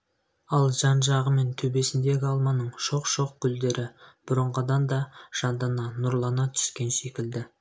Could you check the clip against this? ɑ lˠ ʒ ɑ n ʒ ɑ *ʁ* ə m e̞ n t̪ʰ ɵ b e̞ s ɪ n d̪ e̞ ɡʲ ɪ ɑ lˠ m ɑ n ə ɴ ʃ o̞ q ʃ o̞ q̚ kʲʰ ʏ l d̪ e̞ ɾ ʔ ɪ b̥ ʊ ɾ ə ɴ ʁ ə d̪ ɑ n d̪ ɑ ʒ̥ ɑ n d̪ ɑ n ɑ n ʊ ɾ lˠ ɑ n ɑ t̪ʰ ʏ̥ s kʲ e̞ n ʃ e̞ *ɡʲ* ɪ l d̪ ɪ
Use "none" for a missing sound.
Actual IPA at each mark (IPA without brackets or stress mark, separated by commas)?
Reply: ʁ, kʲ